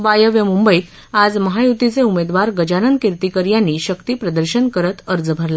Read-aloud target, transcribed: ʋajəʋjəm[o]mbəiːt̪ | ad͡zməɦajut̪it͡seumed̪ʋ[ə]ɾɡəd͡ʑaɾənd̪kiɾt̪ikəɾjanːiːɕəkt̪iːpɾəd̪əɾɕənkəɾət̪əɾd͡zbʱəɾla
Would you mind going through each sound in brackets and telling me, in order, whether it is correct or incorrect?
incorrect: u, incorrect: a

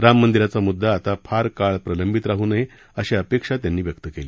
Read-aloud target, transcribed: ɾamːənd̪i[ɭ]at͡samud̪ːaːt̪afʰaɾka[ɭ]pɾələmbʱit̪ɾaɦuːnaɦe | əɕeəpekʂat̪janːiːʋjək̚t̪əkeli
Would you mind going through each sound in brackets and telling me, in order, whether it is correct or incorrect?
incorrect: ɾ, correct

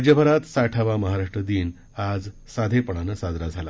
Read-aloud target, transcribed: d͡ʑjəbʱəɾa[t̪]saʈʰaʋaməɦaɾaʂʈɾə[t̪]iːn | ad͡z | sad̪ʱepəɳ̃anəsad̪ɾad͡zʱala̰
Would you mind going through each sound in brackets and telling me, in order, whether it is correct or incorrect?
correct, incorrect: d̪

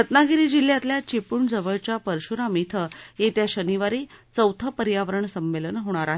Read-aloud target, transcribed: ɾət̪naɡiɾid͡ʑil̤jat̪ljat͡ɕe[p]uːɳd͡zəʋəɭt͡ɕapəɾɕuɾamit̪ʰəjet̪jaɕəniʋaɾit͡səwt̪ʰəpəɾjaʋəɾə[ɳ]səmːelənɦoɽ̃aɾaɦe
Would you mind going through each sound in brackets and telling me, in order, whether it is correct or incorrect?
correct, correct

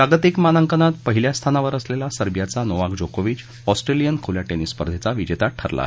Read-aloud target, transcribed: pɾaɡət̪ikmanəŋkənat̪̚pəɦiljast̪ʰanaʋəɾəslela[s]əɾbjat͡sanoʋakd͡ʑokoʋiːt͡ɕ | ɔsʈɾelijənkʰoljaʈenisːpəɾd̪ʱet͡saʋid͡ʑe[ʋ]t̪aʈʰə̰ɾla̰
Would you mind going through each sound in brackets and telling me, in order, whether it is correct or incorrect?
correct, incorrect: none

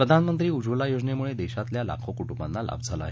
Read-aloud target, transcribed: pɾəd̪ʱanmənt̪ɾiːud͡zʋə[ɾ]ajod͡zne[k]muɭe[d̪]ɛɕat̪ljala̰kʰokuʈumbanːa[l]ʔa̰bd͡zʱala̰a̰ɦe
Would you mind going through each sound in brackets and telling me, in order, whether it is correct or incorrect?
incorrect: l, incorrect: none, correct, correct

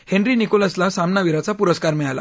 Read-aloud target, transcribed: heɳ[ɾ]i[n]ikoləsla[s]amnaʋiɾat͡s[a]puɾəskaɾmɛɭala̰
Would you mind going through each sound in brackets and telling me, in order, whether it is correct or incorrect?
correct, correct, correct, correct

